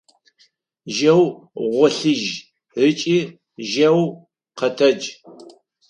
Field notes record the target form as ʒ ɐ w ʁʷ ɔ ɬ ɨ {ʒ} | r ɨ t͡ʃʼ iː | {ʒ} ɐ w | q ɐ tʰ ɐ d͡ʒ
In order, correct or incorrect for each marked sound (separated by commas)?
correct, correct